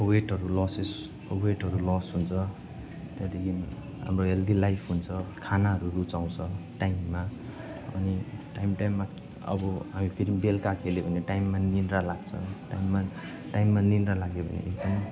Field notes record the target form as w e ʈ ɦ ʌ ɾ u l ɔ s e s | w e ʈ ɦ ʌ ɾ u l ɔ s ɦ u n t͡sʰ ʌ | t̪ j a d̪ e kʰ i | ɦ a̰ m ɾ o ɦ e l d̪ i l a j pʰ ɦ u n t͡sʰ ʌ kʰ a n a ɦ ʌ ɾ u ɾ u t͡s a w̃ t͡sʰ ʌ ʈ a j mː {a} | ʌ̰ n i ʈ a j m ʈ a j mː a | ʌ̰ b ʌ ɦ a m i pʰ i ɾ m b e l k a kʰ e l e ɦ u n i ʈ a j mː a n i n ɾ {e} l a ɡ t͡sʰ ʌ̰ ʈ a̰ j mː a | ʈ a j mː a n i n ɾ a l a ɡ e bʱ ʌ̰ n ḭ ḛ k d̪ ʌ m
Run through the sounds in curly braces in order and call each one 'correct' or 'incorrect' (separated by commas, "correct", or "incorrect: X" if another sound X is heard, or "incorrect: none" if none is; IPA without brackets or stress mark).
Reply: correct, incorrect: a